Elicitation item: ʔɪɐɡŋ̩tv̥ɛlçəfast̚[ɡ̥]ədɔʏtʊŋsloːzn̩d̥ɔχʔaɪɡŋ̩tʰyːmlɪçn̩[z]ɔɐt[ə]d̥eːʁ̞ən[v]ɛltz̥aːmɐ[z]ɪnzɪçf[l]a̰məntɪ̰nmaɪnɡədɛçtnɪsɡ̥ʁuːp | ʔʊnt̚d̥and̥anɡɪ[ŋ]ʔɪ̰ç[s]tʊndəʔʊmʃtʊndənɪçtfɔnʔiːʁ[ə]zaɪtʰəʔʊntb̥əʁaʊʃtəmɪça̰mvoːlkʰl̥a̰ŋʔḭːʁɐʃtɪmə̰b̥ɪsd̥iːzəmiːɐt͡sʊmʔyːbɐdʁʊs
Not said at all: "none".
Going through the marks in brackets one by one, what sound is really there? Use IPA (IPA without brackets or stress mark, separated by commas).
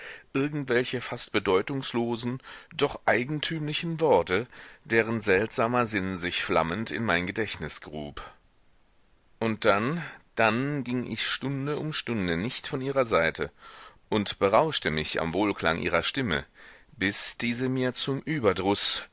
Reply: b̥, v, ə, z, z, l, ŋ, ʃ, ɐ